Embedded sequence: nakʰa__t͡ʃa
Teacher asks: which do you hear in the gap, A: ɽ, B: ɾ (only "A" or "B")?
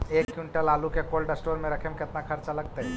B